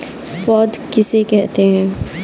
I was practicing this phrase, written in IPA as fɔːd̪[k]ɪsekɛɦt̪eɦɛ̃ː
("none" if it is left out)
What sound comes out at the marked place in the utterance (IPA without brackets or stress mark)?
k